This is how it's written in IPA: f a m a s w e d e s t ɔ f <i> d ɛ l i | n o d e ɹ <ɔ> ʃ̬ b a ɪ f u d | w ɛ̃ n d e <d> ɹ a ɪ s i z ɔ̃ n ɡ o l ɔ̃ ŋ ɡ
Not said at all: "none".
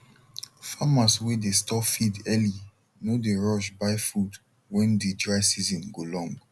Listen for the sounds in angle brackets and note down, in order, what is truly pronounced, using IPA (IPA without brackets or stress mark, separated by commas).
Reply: i, ɔ, d